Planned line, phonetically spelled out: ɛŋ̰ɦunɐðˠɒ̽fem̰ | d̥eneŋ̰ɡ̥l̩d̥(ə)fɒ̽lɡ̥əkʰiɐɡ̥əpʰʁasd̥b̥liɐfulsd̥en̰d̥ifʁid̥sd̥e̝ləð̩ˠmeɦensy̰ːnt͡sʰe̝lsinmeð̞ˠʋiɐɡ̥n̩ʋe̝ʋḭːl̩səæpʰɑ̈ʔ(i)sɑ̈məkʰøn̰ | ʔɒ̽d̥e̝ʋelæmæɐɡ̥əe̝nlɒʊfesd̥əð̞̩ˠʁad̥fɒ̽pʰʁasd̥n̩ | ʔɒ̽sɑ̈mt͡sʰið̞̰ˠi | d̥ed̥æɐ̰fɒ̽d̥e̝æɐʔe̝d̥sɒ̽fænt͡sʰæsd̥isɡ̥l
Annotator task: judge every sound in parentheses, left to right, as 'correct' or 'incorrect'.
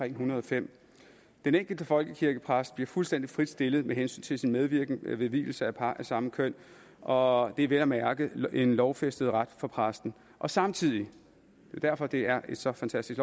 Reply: correct, incorrect: æ

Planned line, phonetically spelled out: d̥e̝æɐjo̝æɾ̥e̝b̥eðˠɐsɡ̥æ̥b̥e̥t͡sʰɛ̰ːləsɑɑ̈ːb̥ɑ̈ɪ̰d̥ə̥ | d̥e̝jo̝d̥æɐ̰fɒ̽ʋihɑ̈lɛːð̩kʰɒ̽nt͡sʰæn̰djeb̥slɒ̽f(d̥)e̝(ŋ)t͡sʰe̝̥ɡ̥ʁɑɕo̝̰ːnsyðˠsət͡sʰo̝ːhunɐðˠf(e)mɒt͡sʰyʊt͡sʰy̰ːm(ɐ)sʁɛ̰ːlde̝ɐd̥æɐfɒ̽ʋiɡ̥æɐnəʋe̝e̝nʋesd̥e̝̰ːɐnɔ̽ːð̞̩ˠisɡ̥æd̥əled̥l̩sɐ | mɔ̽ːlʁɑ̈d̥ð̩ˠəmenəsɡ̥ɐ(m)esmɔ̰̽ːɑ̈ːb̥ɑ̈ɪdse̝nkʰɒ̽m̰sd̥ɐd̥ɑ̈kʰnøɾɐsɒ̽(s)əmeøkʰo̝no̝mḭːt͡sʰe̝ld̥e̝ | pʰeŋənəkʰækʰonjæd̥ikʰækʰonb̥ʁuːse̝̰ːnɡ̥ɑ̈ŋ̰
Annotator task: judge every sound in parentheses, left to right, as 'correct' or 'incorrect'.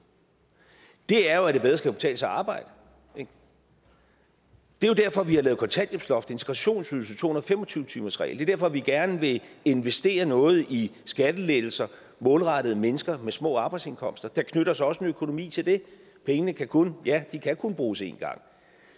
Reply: correct, incorrect: n, correct, correct, correct, correct

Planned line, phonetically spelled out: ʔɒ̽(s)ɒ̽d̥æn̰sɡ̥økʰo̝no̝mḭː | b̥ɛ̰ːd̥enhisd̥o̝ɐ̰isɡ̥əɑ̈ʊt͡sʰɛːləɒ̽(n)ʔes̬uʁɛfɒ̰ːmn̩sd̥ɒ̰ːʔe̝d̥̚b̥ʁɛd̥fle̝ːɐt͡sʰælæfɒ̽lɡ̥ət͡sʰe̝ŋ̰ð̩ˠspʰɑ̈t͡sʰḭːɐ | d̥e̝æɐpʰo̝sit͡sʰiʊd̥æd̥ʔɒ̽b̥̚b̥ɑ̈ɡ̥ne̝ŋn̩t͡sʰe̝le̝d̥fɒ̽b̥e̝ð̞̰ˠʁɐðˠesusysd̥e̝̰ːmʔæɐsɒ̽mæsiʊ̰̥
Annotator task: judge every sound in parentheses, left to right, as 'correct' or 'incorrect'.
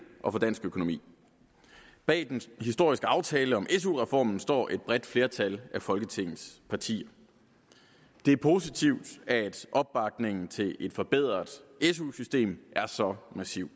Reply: incorrect: f, incorrect: m

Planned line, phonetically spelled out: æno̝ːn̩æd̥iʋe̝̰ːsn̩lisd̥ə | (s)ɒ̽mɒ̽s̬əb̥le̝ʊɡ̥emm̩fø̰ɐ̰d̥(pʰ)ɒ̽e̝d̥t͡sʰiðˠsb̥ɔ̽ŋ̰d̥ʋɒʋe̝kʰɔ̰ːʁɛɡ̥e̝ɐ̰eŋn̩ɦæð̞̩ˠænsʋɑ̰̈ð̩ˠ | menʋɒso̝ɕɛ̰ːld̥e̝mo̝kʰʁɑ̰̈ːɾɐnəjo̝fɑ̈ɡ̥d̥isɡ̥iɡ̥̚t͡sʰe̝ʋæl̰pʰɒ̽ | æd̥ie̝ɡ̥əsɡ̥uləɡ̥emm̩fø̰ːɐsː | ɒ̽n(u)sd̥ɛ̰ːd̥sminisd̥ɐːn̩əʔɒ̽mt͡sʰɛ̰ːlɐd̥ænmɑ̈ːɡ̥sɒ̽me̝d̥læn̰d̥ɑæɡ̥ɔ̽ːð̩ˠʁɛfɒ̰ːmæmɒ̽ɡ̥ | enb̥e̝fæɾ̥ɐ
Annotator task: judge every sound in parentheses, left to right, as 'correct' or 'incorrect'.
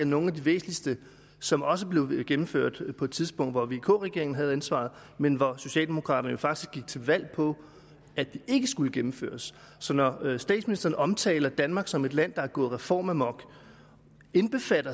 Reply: correct, correct, incorrect: ɒ

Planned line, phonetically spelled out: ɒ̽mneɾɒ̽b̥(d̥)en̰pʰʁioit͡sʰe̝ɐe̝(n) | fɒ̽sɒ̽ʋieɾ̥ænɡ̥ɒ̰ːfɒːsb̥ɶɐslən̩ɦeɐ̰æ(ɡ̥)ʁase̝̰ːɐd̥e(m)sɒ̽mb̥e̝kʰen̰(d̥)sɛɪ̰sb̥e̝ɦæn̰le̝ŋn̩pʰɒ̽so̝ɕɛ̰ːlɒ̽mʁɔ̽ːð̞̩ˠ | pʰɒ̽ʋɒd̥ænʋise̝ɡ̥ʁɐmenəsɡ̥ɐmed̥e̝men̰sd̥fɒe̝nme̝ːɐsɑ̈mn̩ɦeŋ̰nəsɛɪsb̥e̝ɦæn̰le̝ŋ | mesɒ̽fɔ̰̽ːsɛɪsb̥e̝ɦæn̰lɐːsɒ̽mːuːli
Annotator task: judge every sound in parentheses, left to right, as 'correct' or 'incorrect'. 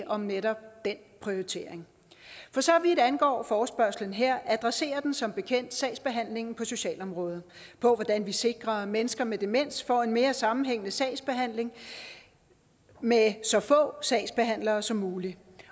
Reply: correct, incorrect: ŋ, incorrect: d̥, incorrect: n, correct

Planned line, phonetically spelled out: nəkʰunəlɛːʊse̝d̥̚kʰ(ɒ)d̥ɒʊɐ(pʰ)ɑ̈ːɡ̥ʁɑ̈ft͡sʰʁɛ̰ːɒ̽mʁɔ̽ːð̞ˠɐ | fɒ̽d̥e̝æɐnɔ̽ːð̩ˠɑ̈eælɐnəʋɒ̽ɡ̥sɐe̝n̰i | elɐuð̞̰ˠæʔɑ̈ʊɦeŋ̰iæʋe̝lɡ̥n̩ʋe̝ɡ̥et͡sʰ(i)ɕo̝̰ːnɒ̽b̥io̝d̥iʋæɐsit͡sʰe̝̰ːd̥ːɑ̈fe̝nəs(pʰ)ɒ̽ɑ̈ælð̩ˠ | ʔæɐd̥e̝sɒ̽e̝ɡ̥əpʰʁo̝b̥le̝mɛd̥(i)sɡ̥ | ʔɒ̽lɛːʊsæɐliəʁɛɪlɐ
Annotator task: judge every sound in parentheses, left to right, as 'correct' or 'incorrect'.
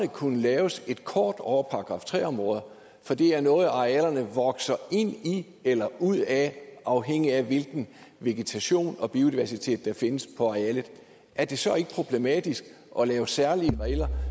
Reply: incorrect: ɒː, correct, incorrect: æ, correct, correct

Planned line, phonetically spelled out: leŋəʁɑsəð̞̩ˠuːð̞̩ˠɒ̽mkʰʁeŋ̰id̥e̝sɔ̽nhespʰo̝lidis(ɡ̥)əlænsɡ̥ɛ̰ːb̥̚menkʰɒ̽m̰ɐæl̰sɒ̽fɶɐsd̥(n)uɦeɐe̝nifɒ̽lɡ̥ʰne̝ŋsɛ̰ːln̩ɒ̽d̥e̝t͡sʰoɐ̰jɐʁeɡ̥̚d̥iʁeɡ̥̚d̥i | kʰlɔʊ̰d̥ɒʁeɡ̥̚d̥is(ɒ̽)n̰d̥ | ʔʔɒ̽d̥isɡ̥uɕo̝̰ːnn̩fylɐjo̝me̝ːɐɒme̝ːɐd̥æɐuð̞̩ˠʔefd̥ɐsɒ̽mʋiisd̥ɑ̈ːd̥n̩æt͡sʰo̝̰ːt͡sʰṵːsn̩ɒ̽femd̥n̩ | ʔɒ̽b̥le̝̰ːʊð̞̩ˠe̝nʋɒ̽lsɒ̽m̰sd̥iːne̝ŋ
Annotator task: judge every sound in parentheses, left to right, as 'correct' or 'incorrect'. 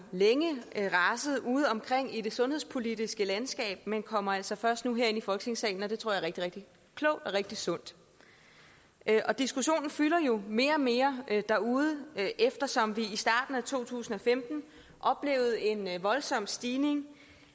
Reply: correct, correct, incorrect: ɔ̽

